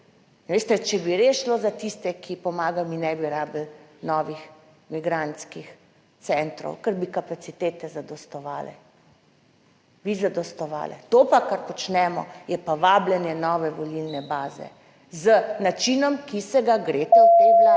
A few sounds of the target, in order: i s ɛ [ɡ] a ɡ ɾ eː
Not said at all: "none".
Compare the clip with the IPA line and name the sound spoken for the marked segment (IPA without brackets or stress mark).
ɡ